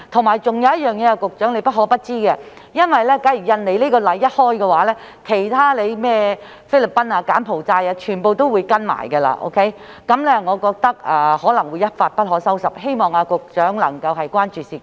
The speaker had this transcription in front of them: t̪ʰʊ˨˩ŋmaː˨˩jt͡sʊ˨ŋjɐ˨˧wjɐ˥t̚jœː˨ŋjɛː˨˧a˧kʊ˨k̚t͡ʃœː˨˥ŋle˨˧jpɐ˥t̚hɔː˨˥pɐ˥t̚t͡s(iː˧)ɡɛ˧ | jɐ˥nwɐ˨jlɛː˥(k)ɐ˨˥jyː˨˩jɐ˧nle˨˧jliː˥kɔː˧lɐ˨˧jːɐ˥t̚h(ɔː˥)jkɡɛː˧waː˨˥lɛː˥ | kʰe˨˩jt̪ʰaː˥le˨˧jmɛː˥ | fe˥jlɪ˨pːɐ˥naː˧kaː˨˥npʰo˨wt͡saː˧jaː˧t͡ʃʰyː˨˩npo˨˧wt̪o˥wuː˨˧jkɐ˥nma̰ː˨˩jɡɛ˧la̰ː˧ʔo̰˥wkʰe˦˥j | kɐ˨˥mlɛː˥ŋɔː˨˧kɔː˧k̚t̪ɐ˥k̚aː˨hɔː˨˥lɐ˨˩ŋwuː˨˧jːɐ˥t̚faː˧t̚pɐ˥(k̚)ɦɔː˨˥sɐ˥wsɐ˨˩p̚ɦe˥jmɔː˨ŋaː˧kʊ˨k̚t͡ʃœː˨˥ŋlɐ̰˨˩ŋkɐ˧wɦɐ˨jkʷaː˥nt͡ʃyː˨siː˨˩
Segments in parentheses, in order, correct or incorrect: incorrect: iː˥, correct, correct, incorrect: t̚

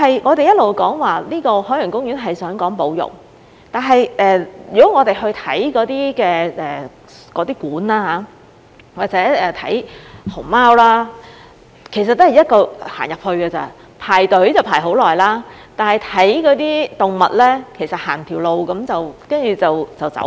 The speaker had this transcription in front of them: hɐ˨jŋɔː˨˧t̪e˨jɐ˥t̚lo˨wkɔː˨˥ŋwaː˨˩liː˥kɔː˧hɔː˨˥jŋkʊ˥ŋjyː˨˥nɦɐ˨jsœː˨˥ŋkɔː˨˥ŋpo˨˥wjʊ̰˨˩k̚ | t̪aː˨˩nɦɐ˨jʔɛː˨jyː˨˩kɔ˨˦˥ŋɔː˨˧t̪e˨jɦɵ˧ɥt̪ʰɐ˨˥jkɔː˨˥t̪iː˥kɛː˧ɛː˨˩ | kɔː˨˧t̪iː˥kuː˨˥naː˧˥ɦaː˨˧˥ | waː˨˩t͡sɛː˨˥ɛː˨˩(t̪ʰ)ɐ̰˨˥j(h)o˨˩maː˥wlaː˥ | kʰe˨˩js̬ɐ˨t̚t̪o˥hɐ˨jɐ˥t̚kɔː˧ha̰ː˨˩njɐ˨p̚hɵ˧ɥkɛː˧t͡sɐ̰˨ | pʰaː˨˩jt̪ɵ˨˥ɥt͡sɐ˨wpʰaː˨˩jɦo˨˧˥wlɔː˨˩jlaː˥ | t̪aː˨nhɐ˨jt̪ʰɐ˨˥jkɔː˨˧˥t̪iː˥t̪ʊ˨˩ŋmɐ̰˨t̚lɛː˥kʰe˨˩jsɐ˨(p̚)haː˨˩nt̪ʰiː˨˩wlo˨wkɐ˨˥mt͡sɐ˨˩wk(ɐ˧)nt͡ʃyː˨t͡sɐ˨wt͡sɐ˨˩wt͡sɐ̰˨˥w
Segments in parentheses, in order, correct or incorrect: correct, correct, incorrect: t̚, incorrect: ɐ˥

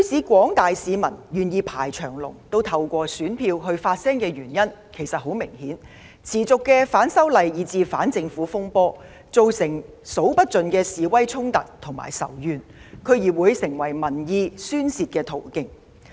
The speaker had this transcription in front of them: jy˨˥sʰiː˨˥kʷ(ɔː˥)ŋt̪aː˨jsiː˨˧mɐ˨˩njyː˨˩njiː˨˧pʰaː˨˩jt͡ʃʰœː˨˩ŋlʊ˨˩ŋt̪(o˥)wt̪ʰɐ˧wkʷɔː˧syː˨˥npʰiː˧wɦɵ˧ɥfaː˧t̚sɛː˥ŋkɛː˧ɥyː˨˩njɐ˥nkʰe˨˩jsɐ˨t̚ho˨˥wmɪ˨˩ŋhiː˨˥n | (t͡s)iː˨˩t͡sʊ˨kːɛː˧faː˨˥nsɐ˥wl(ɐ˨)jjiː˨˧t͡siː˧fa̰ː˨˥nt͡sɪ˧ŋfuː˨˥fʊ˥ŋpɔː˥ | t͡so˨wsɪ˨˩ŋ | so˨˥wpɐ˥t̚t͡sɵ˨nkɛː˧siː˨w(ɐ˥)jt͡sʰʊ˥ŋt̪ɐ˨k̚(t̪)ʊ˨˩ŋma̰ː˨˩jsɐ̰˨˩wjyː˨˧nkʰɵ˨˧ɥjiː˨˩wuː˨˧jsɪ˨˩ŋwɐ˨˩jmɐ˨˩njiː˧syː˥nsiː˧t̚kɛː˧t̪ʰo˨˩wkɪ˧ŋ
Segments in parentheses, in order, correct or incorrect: incorrect: ɔː˨˥, correct, incorrect: t͡sʰ, correct, correct, incorrect: t̪ʰ

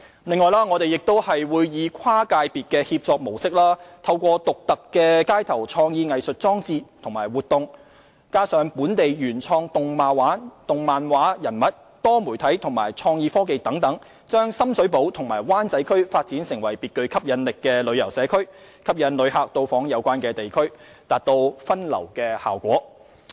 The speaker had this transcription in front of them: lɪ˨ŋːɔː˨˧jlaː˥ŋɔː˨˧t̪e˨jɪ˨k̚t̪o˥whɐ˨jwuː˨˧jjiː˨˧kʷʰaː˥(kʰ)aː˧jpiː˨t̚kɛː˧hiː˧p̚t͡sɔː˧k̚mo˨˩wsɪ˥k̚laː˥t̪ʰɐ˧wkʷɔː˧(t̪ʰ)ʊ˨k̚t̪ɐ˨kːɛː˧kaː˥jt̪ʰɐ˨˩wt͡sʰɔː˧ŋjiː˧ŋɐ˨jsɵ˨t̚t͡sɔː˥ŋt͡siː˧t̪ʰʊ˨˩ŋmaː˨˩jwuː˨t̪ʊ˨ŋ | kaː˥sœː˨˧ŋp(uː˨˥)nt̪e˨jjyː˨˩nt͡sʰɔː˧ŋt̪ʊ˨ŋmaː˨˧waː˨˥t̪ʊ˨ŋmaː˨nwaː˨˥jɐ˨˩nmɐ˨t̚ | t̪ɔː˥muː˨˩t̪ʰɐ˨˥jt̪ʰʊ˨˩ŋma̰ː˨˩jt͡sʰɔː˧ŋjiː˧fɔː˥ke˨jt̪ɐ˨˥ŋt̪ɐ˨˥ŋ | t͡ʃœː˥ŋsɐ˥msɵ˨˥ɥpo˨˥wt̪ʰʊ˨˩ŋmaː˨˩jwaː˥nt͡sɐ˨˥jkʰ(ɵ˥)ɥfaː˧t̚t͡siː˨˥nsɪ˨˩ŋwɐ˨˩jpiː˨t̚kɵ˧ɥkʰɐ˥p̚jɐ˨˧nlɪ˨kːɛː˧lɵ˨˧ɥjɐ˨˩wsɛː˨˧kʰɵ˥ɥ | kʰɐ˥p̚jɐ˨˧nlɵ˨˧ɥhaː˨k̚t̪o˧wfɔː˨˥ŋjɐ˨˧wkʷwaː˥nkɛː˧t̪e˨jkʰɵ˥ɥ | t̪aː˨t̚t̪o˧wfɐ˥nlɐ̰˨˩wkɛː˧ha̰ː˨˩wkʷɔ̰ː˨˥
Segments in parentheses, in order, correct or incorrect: incorrect: k, incorrect: t̪, correct, correct

